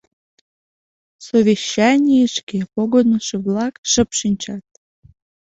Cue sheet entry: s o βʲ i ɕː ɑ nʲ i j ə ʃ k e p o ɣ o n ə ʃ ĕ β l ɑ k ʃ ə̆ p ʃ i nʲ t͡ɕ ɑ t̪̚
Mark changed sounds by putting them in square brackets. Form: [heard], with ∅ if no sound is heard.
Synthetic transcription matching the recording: s o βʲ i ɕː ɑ nʲ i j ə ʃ k e p o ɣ o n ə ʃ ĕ β l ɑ k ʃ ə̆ p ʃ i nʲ t͡ɕ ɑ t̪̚